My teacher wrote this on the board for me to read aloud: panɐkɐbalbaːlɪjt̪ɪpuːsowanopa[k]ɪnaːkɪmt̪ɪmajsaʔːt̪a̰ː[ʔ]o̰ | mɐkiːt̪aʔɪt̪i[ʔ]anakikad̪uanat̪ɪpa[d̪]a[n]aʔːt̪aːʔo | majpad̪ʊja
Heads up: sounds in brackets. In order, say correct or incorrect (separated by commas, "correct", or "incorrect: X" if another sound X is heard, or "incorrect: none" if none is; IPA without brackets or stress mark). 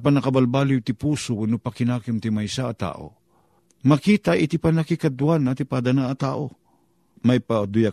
correct, correct, incorrect: p, correct, correct